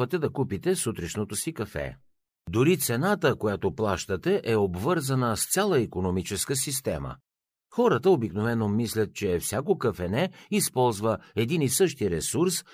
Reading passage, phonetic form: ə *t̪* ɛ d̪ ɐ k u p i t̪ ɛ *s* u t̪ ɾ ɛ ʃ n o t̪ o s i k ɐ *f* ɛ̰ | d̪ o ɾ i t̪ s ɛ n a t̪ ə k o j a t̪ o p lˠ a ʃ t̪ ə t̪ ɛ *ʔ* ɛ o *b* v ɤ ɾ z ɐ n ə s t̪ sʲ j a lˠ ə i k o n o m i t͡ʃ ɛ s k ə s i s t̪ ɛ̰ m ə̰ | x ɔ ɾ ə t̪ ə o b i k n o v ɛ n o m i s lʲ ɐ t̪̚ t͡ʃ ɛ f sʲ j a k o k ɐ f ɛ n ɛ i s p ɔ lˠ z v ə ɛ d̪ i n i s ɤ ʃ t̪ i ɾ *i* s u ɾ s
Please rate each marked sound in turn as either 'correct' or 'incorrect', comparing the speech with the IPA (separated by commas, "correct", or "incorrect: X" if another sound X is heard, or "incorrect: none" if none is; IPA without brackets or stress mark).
correct, correct, correct, correct, correct, incorrect: ɛ